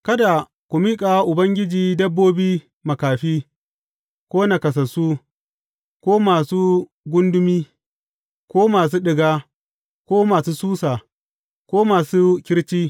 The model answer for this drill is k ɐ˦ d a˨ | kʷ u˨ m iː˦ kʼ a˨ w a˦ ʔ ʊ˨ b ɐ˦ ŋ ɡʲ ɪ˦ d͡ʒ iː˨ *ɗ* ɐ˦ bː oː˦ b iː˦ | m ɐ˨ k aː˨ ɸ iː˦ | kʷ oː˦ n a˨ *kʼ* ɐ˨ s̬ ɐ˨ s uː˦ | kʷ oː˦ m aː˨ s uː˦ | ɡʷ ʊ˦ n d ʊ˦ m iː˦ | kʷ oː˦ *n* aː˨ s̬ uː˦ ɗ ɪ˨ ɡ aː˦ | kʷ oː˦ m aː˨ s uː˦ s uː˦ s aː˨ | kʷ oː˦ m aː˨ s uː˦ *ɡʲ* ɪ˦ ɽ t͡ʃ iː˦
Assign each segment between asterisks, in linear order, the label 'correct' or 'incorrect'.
incorrect: d, incorrect: k, incorrect: m, incorrect: kʲ

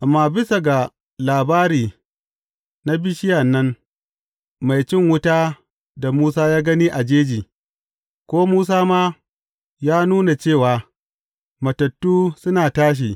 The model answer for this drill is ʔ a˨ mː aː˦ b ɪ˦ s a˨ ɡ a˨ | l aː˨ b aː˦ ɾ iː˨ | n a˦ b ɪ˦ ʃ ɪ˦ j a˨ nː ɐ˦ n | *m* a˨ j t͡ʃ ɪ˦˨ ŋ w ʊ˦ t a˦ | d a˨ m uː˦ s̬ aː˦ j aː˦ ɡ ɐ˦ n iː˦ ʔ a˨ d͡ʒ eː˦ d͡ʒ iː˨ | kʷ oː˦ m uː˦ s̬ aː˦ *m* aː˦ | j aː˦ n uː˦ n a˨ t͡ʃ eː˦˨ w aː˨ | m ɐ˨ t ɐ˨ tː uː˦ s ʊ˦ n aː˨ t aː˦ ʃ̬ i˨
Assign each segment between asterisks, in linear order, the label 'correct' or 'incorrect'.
correct, correct

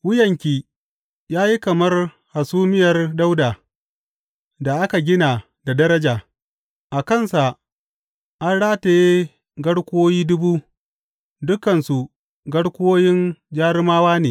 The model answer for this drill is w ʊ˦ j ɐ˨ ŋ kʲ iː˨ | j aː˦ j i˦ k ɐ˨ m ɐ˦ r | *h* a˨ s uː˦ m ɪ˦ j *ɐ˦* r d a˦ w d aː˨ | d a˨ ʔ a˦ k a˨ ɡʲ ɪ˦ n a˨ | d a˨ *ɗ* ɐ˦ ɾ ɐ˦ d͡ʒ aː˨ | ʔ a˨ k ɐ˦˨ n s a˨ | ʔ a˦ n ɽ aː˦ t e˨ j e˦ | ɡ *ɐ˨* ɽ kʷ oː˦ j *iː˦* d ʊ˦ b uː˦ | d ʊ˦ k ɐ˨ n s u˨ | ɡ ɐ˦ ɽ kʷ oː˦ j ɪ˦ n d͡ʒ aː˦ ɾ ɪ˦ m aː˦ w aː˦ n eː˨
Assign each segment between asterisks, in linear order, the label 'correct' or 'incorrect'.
correct, incorrect: ɐ˨, incorrect: d, incorrect: ɐ˦, correct

